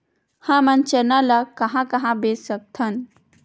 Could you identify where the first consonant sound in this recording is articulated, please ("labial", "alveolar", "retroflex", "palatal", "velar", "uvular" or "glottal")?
glottal